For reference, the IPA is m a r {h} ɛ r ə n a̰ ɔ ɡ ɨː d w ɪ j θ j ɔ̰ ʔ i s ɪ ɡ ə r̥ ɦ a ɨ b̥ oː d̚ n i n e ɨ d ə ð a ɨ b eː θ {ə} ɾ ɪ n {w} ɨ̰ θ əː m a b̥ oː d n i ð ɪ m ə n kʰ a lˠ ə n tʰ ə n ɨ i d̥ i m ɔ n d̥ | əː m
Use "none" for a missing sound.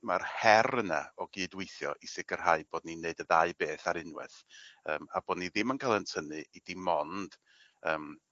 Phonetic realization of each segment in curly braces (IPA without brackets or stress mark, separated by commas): h, a, w